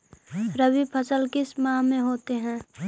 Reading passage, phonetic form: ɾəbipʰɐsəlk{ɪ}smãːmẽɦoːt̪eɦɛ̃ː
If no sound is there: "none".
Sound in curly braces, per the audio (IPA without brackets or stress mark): ɪ